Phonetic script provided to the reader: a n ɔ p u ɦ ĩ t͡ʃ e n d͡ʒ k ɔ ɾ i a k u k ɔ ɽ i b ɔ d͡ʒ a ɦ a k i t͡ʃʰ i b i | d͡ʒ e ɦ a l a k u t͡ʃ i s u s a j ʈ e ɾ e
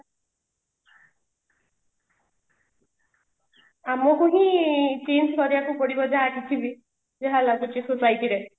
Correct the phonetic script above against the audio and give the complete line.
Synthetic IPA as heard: a m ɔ k u ɦ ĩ t͡ʃ e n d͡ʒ k ɔ ɾ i a k u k ɔ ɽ i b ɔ d͡ʒ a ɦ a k i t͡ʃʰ i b i | d͡ʒ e ɦ a l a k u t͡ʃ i s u s a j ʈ i ɾ e